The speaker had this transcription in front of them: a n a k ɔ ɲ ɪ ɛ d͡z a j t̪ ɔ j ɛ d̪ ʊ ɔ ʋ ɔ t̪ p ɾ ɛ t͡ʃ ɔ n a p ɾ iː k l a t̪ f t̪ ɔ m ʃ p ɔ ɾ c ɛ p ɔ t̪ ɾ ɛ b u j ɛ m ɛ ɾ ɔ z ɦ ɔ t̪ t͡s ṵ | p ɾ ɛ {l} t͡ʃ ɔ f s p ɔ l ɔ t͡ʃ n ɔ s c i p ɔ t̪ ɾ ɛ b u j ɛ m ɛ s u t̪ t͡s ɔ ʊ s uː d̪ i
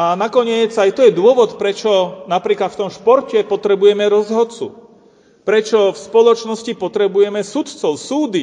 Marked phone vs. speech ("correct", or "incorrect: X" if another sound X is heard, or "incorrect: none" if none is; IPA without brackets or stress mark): incorrect: none